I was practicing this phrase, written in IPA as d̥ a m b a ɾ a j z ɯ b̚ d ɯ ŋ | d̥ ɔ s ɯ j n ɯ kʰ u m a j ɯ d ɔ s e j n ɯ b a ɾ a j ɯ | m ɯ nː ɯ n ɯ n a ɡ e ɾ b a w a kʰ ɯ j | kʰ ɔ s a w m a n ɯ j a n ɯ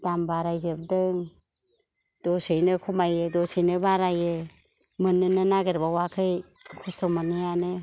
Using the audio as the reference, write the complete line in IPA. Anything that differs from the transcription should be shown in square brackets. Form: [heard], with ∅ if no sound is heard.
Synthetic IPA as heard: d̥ a m b a ɾ a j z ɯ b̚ d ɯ ŋ | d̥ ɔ s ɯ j n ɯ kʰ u m a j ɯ d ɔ s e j n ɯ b a ɾ a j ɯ | m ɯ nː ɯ n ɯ n a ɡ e ɾ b a w a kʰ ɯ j | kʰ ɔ s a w m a n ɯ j a n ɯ

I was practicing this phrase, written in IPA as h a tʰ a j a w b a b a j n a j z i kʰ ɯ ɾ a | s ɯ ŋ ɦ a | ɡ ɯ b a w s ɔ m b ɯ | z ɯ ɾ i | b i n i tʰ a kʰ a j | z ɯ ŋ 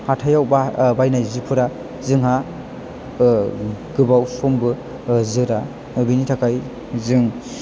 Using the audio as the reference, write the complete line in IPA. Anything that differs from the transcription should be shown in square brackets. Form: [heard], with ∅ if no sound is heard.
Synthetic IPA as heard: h a tʰ a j a w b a b a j n a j z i [pʰ] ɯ ɾ a | [z] ɯ ŋ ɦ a | ɡ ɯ b a w s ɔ m b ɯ | z ɯ ɾ [a] | b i n i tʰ a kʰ a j | z ɯ ŋ

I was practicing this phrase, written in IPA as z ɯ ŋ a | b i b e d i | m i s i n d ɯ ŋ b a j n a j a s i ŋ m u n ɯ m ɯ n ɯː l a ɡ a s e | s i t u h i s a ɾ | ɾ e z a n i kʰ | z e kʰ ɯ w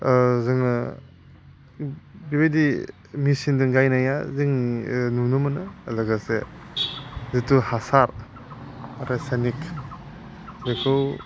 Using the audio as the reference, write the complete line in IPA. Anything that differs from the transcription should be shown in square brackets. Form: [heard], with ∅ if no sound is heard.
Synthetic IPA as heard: z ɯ ŋ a | b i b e d i | m i s i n d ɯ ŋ [ɡ] a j n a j a [z] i ŋ [n] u n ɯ m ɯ n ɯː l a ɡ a s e | [z] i t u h [a] s a ɾ | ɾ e [s] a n i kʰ | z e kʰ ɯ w

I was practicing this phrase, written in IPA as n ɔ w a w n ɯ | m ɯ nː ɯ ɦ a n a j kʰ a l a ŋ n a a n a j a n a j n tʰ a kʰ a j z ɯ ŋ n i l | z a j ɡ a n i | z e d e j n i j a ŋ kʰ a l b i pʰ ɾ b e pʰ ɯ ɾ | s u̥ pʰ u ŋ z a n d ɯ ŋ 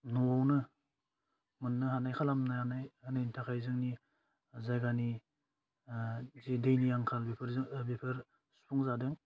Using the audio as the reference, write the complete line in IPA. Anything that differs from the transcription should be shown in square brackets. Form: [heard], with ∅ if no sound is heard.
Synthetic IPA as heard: n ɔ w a w n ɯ | m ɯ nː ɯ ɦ a n a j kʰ a l a [m] n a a n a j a n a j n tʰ a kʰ a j z ɯ ŋ n i [∅] | z a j ɡ a n i | z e d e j n i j a ŋ kʰ a l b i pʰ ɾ b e pʰ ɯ ɾ | s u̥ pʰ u ŋ z a [∅] d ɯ ŋ

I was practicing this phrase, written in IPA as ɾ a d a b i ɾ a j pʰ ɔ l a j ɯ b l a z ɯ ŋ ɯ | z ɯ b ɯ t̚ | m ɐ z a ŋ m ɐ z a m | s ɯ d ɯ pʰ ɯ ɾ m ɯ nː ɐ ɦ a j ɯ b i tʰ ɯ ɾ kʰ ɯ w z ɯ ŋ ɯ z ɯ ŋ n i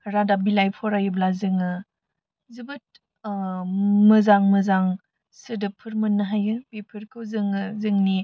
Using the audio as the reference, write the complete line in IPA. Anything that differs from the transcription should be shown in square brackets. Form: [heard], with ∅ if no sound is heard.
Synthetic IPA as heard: ɾ a d a b i [l] a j pʰ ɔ [ɾ] a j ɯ b l a z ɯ ŋ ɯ | z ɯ b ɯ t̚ | m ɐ z a ŋ m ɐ z a [ŋ] | s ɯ d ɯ pʰ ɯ ɾ m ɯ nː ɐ ɦ a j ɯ b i [pʰ] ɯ ɾ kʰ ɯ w z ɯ ŋ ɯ z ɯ ŋ n i

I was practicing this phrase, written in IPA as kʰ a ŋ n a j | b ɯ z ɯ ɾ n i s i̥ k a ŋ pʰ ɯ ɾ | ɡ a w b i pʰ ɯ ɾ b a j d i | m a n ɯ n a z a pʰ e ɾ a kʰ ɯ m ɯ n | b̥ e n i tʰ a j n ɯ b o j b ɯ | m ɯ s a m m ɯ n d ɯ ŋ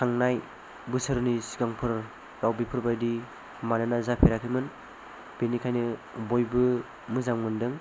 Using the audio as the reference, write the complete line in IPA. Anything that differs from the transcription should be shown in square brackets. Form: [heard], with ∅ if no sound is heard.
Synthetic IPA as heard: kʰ a ŋ n a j | b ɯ [s] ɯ ɾ n i s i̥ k a ŋ pʰ ɯ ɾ | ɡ a w b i pʰ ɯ ɾ b a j d i | m a n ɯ n a z a pʰ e ɾ a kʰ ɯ m ɯ n | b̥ e n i [kʰ] a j n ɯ b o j b ɯ | m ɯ [z] a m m ɯ n d ɯ ŋ

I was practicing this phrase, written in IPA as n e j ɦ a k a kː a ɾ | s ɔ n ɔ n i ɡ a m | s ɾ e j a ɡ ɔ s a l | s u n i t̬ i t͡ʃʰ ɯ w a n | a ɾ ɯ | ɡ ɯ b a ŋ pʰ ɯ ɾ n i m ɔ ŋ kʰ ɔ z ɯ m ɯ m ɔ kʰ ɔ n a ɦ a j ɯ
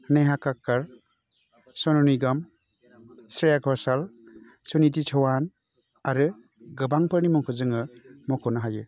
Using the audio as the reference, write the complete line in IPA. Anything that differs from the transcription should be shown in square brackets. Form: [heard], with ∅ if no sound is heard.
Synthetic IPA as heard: n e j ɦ a k a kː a ɾ | s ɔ n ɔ n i ɡ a m | s ɾ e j a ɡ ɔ s a l | s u n i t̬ i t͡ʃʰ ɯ w a n | a ɾ ɯ | ɡ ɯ b a ŋ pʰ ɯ ɾ n i m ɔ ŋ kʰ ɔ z ɯ [ŋ] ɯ m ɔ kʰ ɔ n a ɦ a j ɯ

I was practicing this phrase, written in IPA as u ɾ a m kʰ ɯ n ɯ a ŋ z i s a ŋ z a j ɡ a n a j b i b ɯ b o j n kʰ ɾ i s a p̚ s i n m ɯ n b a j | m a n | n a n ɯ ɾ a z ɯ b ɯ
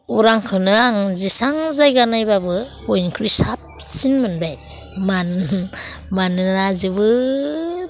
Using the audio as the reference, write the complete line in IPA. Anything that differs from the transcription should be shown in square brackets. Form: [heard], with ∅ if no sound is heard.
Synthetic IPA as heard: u ɾ a [ŋ] kʰ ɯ n ɯ a ŋ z i s a ŋ z a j ɡ a n a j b [a] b ɯ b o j n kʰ ɾ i s a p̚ s i n m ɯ n b a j | m a n | [m] a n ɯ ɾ a z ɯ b ɯ

